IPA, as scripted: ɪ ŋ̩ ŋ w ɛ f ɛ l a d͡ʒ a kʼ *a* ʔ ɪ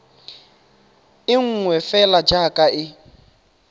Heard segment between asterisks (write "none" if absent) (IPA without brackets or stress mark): a